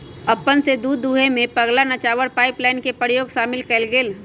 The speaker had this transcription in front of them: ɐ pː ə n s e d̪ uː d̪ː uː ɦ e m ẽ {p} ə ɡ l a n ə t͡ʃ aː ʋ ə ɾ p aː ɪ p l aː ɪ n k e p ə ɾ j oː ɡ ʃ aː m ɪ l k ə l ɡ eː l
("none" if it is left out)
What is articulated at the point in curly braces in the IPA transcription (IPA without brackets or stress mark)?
p